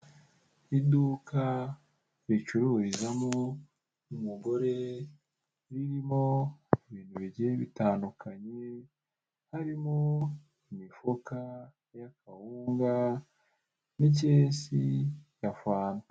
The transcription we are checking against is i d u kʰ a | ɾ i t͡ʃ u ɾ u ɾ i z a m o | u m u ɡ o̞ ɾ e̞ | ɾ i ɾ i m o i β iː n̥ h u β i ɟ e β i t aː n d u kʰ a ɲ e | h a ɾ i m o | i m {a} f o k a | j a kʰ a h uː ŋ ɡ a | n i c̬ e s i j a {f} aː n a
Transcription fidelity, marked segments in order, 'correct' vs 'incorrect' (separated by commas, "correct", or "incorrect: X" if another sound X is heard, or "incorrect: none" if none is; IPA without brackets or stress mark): incorrect: i, correct